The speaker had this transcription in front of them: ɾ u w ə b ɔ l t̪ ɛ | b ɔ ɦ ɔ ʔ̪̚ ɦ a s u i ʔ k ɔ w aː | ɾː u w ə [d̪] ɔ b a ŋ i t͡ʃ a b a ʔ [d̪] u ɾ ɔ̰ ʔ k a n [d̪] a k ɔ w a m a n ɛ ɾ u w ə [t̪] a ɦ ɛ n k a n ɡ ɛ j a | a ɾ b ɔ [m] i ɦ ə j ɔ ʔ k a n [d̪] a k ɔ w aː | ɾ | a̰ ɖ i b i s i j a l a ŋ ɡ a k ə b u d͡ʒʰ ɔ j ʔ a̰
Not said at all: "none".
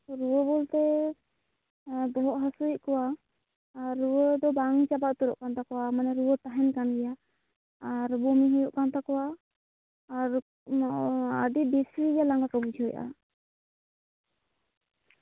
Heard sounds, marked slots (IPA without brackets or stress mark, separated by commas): d̪, t̪, t̪, t̪, m, t̪